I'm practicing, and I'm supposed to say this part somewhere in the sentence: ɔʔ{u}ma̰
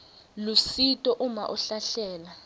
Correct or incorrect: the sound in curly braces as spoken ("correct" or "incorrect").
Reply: correct